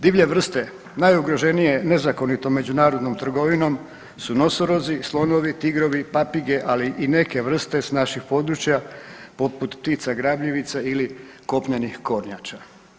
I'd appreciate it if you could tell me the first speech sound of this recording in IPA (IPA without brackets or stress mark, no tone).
d̪